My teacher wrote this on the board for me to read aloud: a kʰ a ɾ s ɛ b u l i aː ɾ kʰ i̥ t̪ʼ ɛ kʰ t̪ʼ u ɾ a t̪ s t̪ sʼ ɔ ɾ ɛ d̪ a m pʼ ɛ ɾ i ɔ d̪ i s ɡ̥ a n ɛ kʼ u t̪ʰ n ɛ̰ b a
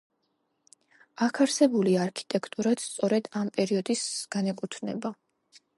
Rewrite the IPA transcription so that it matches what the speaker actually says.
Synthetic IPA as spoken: a kʰ a ɾ s ɛ b u l i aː ɾ kʰ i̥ t̪ʼ ɛ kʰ t̪ʼ u ɾ a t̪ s t̪ sʼ ɔ ɾ ɛ d̪ a m pʼ ɛ ɾ i ɔ d̪ i s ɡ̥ a n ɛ kʼ u t̪ʰ n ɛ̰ b a